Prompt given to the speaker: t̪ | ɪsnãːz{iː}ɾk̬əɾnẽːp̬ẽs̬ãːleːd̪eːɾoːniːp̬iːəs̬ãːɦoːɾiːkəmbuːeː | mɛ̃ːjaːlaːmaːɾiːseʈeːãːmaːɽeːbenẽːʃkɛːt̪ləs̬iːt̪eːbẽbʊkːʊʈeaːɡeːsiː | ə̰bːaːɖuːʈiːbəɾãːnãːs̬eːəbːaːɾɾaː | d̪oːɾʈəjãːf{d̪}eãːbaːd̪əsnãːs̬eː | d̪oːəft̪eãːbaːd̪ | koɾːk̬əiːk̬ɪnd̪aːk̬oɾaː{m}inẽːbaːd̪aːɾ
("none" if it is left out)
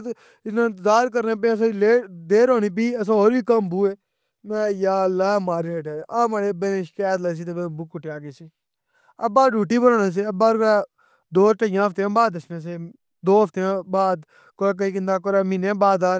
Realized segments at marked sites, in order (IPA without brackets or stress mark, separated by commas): aː, t̪, m